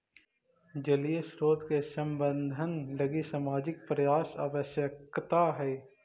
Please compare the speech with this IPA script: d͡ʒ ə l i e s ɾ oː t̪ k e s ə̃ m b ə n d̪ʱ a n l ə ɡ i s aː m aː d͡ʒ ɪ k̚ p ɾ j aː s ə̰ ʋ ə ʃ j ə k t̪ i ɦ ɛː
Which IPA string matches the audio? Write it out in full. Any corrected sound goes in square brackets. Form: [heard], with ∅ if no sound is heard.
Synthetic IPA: d͡ʒ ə l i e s ɾ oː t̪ k e s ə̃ m b ə n d̪ʱ [ə] n l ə ɡ i s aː m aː d͡ʒ ɪ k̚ p ɾ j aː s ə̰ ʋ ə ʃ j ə k t̪ [a] ɦ ɛː

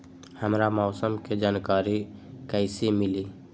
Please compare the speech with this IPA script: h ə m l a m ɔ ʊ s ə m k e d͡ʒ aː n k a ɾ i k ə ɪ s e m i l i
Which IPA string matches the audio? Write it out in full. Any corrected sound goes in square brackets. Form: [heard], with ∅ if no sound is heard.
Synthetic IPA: h ə m [ɾ] a m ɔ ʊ s ə m k e d͡ʒ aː n k a ɾ i k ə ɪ s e m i l i

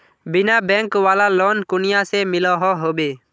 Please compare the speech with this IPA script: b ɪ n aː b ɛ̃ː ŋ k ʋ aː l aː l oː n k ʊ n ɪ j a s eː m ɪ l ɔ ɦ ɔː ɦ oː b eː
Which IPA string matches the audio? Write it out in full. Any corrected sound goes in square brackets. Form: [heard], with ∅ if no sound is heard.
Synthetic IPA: b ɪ n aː b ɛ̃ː ŋ k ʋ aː l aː l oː n k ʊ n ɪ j a s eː m ɪ l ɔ ɦ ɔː ɦ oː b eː

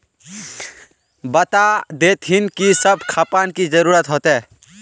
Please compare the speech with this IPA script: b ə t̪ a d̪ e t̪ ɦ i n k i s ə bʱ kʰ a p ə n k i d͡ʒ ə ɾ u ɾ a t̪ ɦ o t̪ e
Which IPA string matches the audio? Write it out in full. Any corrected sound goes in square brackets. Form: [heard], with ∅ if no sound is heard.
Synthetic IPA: b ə t̪ a d̪ e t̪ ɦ i n k i s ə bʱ kʰ a p [a] n k i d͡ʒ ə ɾ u ɾ [ə] t̪ ɦ o t̪ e

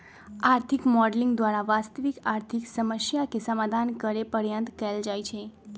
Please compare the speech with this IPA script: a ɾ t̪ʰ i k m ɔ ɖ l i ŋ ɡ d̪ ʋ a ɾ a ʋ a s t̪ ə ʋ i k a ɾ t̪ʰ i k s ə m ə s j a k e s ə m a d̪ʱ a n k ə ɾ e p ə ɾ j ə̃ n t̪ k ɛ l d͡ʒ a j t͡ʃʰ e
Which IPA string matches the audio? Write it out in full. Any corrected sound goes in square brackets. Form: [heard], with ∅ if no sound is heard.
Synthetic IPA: a ɾ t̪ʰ i k m ɔ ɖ l i ŋ ɡ d̪ ʋ a ɾ a ʋ a s t̪ ə ʋ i k a ɾ t̪ʰ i k s ə m ə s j a k e s ə m a d̪ʱ a n k ə ɾ e p ə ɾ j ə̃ n t̪ k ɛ l d͡ʒ a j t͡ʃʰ e

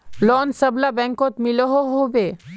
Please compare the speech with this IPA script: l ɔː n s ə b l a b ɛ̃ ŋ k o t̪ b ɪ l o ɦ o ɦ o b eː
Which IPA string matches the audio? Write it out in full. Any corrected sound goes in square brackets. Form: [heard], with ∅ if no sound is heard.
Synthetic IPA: l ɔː n s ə b l a b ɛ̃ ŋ k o t̪ [m] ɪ l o ɦ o ɦ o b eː

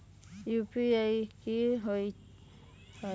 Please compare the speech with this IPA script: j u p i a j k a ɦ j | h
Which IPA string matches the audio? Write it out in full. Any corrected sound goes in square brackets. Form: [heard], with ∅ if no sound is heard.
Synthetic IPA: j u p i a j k [i] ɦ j | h

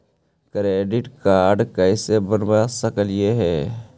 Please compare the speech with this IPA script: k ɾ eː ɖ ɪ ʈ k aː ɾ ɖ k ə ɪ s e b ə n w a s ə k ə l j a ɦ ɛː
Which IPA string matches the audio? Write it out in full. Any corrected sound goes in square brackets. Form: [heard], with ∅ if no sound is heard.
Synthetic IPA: k ɾ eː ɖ ɪ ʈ k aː ɾ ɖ k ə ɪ s e b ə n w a s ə k ə l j [e] ɦ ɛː

